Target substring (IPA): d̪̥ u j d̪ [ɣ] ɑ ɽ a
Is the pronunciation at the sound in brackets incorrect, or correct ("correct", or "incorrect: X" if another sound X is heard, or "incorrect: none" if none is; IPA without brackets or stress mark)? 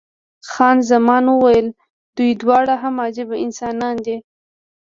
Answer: incorrect: w